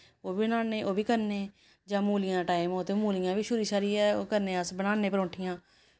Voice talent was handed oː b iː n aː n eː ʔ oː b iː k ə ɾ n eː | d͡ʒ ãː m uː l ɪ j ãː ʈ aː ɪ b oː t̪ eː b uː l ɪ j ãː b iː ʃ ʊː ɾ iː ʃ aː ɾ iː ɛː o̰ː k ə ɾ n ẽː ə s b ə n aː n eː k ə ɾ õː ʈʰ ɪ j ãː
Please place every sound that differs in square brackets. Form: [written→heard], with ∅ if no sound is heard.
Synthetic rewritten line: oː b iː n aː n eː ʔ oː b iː k ə ɾ n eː | d͡ʒ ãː m uː l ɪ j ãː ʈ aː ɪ [b→m] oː t̪ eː [b→m] uː l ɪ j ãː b iː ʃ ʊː ɾ iː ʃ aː ɾ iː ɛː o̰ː k ə ɾ n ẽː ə s b ə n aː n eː [k→p] ə ɾ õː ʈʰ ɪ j ãː